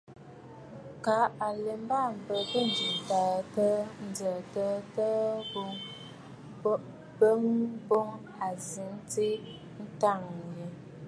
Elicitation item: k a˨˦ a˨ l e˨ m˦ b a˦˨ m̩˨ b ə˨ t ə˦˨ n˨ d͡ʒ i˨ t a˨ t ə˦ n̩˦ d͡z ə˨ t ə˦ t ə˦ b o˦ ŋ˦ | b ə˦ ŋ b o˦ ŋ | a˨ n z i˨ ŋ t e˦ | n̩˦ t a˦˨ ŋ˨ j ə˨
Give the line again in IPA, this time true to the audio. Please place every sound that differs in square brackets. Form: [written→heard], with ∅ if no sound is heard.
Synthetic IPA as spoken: k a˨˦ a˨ l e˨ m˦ b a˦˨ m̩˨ b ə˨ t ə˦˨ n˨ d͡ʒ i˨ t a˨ t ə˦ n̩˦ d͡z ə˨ t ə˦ t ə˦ b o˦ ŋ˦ | b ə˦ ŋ b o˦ ŋ | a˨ [n→∅] z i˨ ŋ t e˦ | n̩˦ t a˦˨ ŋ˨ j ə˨